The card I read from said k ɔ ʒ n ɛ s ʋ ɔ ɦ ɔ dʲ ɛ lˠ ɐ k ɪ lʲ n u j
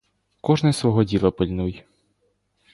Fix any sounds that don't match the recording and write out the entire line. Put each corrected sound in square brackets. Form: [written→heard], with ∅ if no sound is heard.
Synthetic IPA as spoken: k ɔ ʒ n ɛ s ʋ ɔ ɦ ɔ dʲ [ɛ→i] lˠ ɐ [k→p] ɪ lʲ n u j